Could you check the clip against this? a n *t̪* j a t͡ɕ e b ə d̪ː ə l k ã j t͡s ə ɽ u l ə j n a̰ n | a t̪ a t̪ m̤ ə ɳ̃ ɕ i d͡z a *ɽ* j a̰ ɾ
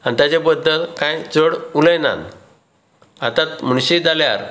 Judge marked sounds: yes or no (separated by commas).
yes, no